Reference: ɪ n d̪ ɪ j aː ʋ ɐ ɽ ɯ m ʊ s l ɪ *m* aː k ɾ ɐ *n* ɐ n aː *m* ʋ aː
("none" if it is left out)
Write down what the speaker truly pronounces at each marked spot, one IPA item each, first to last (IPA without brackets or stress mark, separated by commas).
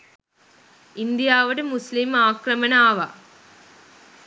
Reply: m, m, none